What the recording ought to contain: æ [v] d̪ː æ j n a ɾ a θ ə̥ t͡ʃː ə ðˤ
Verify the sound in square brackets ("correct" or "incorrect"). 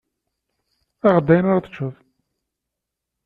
incorrect